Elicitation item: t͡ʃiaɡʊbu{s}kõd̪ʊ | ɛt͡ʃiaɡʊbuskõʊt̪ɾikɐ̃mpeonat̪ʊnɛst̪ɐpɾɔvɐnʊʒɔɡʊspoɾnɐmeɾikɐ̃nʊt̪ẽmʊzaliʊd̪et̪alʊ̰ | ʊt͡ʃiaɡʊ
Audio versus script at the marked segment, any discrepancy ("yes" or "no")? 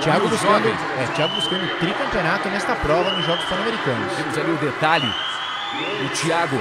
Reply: no